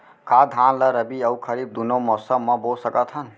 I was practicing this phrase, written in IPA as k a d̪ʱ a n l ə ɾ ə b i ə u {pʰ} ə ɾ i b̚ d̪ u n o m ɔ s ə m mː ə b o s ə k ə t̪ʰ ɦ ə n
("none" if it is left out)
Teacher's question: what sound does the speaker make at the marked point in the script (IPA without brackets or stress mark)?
kʰ